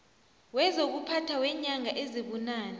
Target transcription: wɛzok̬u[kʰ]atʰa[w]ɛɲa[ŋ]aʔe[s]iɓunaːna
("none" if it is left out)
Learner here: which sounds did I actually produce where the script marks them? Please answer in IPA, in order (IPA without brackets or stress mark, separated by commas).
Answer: pʰ, w, ŋ, z